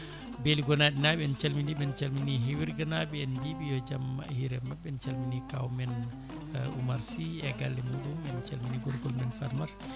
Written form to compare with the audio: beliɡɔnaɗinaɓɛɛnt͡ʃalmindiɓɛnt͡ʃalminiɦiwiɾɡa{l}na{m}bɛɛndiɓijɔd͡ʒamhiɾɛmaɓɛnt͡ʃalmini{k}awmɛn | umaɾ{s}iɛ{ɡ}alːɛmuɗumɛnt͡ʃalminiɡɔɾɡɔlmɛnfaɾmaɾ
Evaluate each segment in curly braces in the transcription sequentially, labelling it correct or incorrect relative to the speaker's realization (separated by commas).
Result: incorrect, incorrect, correct, correct, correct